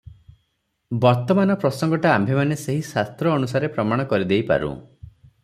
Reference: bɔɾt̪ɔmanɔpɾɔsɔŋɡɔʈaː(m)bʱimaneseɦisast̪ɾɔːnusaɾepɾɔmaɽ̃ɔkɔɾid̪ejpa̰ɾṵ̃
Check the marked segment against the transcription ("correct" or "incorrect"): correct